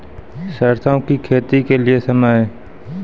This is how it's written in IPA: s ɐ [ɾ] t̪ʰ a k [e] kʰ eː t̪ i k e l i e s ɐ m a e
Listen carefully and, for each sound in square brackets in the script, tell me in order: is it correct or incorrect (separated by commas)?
correct, incorrect